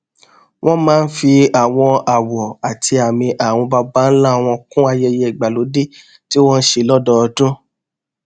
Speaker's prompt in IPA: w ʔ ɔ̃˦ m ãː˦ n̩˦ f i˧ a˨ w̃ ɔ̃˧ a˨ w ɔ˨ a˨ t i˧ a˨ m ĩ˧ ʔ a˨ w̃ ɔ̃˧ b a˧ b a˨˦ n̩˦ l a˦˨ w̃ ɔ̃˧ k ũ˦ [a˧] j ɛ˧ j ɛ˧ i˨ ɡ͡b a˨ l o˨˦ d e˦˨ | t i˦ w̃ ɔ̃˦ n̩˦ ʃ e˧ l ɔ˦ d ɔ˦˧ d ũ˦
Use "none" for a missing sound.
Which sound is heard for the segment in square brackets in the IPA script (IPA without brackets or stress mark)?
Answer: a˧